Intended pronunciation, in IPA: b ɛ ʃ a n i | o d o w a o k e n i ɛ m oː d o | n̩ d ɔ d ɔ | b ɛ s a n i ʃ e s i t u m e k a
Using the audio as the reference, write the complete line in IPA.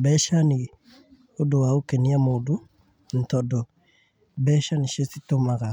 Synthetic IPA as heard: b ɛ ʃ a n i | o d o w a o k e n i a m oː d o | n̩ t ɔ d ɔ | b ɛ ʃ a n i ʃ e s i t o m a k a